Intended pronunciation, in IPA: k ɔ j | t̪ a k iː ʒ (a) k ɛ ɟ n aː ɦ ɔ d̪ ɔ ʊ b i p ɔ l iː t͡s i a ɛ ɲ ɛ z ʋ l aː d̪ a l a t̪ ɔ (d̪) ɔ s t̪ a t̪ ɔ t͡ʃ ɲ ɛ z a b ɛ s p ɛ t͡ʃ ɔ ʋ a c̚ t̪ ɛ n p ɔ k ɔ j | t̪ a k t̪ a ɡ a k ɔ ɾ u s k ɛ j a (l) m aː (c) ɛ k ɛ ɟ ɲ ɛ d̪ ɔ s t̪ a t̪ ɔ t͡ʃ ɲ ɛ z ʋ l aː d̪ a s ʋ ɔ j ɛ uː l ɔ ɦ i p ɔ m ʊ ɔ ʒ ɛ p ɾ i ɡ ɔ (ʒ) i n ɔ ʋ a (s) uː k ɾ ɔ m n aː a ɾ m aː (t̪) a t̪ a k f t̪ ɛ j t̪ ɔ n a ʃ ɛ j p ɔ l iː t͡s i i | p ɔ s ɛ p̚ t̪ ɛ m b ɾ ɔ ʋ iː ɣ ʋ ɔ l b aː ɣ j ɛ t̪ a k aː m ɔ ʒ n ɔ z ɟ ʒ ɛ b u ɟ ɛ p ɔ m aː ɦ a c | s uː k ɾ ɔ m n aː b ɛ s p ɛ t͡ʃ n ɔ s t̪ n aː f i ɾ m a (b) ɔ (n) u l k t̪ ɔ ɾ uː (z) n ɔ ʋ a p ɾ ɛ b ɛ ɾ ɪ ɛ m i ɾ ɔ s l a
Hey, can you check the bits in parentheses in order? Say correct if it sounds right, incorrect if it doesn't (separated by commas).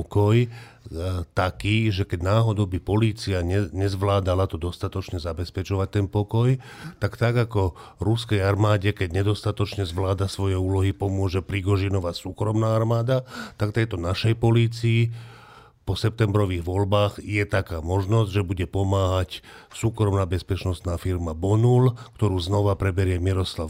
incorrect, correct, incorrect, incorrect, correct, correct, incorrect, correct, correct, correct